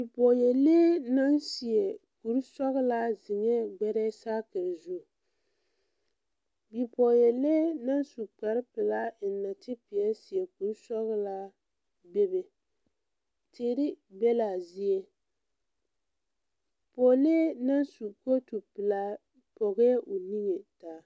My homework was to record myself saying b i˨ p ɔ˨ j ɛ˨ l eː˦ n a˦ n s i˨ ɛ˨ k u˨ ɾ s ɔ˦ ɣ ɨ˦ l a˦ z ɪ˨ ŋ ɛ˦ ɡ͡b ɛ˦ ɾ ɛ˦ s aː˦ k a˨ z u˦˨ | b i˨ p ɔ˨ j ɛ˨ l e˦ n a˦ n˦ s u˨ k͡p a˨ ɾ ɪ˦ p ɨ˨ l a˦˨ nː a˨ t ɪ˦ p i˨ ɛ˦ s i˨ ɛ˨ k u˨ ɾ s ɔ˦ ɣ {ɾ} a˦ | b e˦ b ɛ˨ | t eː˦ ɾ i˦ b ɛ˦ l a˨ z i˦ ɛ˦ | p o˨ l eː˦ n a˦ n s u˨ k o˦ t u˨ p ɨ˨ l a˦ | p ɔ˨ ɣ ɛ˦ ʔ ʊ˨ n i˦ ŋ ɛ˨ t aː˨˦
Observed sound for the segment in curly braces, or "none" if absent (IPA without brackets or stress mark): l